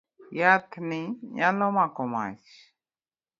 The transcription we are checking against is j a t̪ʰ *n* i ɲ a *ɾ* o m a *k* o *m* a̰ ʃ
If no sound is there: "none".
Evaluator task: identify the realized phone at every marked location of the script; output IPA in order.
n, l, k, m

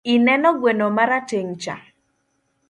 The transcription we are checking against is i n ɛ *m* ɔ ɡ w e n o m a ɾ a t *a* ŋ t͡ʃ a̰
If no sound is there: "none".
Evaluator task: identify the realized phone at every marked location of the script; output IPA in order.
n, e

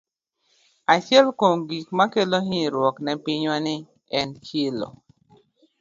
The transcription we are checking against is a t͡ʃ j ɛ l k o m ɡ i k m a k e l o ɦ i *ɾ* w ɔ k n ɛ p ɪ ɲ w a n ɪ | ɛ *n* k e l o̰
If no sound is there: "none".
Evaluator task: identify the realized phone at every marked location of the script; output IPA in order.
ɾ, n

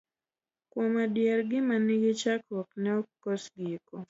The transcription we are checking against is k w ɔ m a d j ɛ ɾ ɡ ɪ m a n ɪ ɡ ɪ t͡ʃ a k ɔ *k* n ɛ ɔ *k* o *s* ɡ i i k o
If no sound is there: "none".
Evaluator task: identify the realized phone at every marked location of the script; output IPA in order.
k, k, s

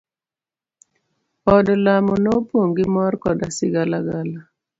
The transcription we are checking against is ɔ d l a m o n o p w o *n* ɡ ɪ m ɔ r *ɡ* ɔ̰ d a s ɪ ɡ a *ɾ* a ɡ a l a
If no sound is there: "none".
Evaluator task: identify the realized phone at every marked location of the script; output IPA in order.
ŋ, k, l

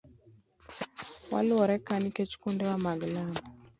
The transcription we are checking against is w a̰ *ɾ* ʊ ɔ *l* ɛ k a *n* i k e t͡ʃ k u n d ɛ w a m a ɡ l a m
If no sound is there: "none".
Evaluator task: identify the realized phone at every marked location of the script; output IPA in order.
l, ɾ, n

